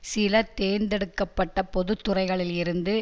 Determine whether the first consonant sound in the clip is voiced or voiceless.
voiceless